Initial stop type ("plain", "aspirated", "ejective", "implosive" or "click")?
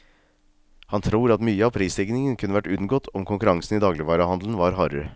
aspirated